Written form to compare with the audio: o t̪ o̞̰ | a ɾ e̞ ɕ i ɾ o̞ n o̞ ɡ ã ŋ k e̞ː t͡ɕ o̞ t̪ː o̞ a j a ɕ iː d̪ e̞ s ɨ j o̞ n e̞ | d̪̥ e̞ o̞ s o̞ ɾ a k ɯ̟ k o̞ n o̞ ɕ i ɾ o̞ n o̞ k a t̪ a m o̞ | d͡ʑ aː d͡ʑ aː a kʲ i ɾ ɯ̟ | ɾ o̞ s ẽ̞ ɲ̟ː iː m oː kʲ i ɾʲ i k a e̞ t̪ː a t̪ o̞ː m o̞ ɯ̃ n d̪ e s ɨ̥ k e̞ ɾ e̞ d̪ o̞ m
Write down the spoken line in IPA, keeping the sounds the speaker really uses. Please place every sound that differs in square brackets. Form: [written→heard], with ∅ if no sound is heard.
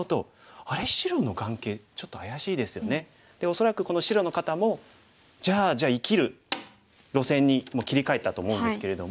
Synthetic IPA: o t̪ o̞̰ | a ɾ e̞ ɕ i ɾ o̞ n o̞ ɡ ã ŋ k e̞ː t͡ɕ o̞ t̪ː o̞ a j a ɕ iː d̪ e̞ s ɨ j o̞ n e̞ | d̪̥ e̞ o̞ s o̞ ɾ a k ɯ̟ k o̞ n o̞ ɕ i ɾ o̞ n o̞ k a t̪ a m o̞ | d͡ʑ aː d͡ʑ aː [a→i] kʲ i ɾ ɯ̟ | ɾ o̞ s ẽ̞ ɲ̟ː [iː→i] m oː kʲ i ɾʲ i k a e̞ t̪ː a t̪ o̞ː m o̞ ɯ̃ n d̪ e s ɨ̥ k e̞ ɾ e̞ d̪ o̞ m